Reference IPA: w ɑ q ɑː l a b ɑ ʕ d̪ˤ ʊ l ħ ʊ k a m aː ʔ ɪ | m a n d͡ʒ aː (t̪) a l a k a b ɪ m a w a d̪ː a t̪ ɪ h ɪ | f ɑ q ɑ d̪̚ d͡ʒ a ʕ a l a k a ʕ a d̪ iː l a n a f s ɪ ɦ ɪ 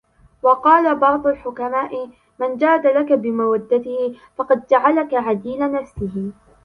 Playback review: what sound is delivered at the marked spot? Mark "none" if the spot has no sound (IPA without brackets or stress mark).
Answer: d̪